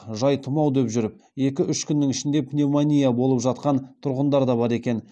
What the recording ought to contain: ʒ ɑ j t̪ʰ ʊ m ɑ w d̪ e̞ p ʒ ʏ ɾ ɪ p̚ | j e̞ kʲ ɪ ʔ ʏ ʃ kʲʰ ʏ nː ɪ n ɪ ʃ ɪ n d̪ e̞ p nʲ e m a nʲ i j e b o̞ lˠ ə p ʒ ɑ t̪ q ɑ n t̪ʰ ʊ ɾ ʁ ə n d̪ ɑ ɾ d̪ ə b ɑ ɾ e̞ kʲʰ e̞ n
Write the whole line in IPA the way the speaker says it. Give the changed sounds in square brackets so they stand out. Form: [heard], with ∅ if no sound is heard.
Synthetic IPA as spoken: ʒ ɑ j t̪ʰ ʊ m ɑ w d̪ e̞ p ʒ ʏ ɾ ɪ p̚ | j e̞ kʲ ɪ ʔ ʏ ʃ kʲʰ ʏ nː ɪ [ŋ] ɪ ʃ ɪ n d̪ e̞ p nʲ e m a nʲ i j [a] b o̞ lˠ ə p ʒ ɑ t̪ q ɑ n t̪ʰ ʊ ɾ ʁ ə n d̪ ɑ ɾ d̪ [ɑ] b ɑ ɾ e̞ [kʲ] e̞ n